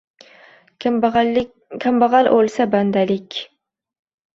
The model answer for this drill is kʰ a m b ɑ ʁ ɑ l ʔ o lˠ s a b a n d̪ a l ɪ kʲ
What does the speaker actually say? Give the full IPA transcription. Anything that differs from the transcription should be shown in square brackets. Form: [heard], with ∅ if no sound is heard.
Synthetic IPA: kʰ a m b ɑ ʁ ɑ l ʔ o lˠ s a b a n d̪ a l ɪ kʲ